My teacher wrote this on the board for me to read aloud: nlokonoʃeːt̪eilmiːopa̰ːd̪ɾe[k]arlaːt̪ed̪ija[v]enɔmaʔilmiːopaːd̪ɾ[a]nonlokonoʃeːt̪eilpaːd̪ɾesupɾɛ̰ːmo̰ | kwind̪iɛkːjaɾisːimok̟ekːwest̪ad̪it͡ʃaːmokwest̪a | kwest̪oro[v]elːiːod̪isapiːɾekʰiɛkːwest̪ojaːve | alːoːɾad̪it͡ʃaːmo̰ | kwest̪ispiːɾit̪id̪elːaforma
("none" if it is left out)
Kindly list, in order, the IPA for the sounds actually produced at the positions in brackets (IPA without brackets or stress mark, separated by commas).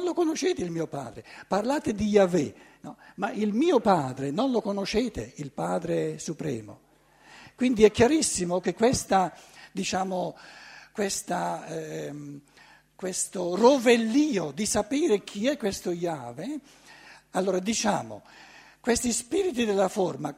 p, v, e, v